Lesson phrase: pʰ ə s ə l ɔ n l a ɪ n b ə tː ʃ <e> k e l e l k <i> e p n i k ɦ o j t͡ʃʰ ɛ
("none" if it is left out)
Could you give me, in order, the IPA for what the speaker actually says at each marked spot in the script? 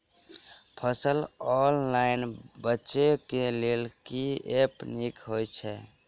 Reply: e, i

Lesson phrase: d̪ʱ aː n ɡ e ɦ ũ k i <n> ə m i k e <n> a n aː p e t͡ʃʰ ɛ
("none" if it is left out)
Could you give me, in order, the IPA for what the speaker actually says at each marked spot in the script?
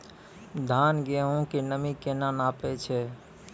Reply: n, n

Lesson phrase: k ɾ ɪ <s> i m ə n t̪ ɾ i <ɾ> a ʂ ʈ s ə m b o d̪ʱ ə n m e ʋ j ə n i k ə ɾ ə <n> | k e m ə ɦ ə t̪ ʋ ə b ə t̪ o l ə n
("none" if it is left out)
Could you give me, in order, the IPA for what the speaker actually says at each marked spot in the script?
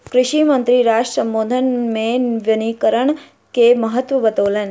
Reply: ʃ, ɾ, ɳ

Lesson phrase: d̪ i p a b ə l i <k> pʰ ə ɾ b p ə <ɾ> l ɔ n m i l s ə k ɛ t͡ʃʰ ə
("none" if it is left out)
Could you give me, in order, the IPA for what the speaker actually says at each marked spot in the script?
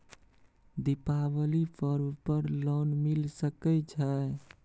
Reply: none, ɾ

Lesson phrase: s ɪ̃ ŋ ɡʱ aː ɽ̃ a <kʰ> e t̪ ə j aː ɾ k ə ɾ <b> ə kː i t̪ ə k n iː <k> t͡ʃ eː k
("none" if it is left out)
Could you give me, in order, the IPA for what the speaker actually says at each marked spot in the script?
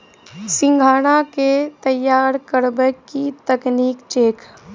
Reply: k, b, k

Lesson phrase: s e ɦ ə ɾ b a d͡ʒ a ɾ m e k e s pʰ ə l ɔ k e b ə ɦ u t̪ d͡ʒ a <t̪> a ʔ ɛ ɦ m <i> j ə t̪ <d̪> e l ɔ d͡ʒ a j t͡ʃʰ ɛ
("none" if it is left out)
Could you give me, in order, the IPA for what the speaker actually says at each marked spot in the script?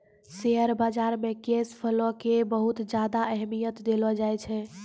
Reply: d̪, i, d̪

